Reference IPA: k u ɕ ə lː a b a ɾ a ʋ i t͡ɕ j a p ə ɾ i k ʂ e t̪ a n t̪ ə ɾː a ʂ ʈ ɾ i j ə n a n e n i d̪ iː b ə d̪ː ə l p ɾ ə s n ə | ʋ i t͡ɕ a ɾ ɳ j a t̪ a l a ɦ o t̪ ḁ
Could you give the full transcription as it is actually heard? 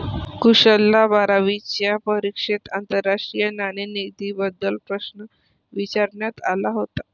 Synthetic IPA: k u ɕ ə lː a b a ɾ a ʋ i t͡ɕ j a p ə ɾ i k ʂ e t̪ a n t̪ ə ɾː a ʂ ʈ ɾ i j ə n a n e n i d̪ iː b ə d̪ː ə l p ɾ ə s n ə | ʋ i t͡ɕ a ɾ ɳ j a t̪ a l a ɦ o t̪ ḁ

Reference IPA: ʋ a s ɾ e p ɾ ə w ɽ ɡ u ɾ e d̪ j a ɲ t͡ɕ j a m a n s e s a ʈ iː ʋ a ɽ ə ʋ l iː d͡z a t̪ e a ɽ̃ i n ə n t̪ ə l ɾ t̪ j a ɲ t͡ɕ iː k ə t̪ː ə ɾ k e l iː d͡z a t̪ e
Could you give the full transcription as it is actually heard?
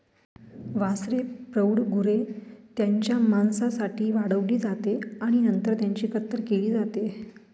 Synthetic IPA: ʋ a s ɾ e p ɾ ə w ɽ ɡ u ɾ e t̪ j a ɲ t͡ɕ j a m a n s a s a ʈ iː ʋ a ɽ ə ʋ l iː d͡z a t̪ e a ɽ̃ i n ə n t̪ ə ɾ t̪ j a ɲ t͡ɕ iː k ə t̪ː ə ɾ k e l iː d͡z a t̪ e

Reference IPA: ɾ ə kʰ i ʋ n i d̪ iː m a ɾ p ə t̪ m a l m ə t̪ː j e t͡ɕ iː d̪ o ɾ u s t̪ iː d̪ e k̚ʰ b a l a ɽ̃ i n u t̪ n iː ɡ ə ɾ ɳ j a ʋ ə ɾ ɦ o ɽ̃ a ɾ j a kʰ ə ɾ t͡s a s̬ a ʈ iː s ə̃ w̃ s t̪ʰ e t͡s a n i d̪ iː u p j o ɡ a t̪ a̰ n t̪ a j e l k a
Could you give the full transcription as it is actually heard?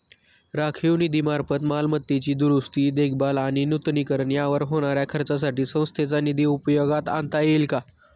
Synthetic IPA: ɾ a kʰ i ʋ n i d̪ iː m a ɾ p ə t̪ m a l m ə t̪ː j e t͡ɕ iː d̪ u ɾ u s t̪ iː d̪ e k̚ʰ b a l a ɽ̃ i n u t̪ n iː k ə ɾ ɳ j a ʋ ə ɾ ɦ o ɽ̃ a ɾ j a kʰ ə ɾ t͡s a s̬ a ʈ iː s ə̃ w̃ s t̪ʰ e t͡s a n i d̪ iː u p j o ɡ a t̪ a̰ n t̪ a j e l k a

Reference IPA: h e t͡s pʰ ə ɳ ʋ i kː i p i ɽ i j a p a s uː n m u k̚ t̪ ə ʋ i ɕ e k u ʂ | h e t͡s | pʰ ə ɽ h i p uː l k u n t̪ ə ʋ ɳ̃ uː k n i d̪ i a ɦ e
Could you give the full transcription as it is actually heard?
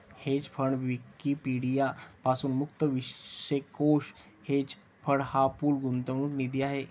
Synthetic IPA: h e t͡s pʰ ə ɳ ʋ i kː i p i ɽ i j a p a s uː n m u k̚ t̪ ə ʋ i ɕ e k o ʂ | h e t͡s | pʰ ə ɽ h a p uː l ɡ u n t̪ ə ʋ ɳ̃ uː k n i d̪ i a ɦ e

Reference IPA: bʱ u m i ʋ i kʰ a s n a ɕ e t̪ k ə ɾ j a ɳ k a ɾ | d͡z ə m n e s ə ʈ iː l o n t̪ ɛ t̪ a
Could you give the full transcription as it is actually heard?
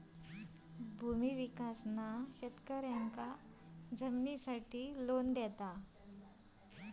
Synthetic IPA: bʱ u m i ʋ i k a s n a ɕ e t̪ k ə ɾ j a ŋ k a | d͡z ə m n i s a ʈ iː l o n d̪ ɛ t̪ a

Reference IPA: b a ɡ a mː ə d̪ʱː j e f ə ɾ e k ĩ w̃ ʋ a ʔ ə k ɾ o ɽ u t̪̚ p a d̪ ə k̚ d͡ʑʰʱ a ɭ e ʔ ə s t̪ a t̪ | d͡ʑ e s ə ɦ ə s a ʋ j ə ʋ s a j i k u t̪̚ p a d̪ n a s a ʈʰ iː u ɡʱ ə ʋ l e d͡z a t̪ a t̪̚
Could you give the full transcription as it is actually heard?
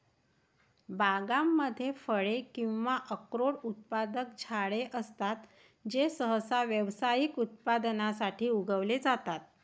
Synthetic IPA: b a ɡ a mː ə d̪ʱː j e f ə ɭ e k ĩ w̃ ʋ a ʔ ə k ɾ o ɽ u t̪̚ p a d̪ ə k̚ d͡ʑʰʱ a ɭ e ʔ ə s t̪ a t̪ | d͡ʑ e s ə ɦ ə s a ʋ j ə ʋ s a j i k u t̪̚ p a d̪ n a s a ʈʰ iː u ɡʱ ə ʋ l e d͡z a t̪ a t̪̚

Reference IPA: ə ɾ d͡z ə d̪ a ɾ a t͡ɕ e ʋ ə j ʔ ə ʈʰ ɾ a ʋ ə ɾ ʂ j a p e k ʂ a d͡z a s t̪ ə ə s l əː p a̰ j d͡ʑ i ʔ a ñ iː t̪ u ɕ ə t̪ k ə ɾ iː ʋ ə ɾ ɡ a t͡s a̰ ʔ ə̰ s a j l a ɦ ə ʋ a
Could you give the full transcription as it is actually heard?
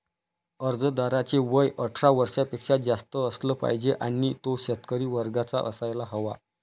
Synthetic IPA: ə ɾ d͡z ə d̪ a ɾ a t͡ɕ e ʋ ə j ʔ ə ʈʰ ɾ a ʋ ə ɾ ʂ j a p e k ʂ a d͡z a s t̪ ə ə s l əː p a̰ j d͡ʑ e ʔ a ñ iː t̪ o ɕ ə t̪ k ə ɾ iː ʋ ə ɾ ɡ a t͡s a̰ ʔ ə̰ s a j l a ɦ ə ʋ a

